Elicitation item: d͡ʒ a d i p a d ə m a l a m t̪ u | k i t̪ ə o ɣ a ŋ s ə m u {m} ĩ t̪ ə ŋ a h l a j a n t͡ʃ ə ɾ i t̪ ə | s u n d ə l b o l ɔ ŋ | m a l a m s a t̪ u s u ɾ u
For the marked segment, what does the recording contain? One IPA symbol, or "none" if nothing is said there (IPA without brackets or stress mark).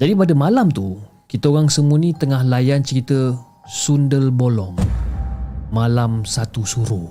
n